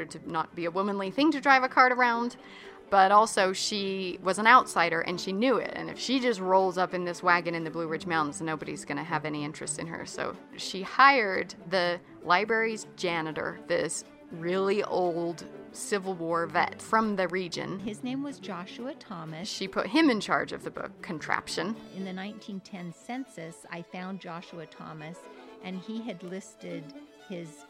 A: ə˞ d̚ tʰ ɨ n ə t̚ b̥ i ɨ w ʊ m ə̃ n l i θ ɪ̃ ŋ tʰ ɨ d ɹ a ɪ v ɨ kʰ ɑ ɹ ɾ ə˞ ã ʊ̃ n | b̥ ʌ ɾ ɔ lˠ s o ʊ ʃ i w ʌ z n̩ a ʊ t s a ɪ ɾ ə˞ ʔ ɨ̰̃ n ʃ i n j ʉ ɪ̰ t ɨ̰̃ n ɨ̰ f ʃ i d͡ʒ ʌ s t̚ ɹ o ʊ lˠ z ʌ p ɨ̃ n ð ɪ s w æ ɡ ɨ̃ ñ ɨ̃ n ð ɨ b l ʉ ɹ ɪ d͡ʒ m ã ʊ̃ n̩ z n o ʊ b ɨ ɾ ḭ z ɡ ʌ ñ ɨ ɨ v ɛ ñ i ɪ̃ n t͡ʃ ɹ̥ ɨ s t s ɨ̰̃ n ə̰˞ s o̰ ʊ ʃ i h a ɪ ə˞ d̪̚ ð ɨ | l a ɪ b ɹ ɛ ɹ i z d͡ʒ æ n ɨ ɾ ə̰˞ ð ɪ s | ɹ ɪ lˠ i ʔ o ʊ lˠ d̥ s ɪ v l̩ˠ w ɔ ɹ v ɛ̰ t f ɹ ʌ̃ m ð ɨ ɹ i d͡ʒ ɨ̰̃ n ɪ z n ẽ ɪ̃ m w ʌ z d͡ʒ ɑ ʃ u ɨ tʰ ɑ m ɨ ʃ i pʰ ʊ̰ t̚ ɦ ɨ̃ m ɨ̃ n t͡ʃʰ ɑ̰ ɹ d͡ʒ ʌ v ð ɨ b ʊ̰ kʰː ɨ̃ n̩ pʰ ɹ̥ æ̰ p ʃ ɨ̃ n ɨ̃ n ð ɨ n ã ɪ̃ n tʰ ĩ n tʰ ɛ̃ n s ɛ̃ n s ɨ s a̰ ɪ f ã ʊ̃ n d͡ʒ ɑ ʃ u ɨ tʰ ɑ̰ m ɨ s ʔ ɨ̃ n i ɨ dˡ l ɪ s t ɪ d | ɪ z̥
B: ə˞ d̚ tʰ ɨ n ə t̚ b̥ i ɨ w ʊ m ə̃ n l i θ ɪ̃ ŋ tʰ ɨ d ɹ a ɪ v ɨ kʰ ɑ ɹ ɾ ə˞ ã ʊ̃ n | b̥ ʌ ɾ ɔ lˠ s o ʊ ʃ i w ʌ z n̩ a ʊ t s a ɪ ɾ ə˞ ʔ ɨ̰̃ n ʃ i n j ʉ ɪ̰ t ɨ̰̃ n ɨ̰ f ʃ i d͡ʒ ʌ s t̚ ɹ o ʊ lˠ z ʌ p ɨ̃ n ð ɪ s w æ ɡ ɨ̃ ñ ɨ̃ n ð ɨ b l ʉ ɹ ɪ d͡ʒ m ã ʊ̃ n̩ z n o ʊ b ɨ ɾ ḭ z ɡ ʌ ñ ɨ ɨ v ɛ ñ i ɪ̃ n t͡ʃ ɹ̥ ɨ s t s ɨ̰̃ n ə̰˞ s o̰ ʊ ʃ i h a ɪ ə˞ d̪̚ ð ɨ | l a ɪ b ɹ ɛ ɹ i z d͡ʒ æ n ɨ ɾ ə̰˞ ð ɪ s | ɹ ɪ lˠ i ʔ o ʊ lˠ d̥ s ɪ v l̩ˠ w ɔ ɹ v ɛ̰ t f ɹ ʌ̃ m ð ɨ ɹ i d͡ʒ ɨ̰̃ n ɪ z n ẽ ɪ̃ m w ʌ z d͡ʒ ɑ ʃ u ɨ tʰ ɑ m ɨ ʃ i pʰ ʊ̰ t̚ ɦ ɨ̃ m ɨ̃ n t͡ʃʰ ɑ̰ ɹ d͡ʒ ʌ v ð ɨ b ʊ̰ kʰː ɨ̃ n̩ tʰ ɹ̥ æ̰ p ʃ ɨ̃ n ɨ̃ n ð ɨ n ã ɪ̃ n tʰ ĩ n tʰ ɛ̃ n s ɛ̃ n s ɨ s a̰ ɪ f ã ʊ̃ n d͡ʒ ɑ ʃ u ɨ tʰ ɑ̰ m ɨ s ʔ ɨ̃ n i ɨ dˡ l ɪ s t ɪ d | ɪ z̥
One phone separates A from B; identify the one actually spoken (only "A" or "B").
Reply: B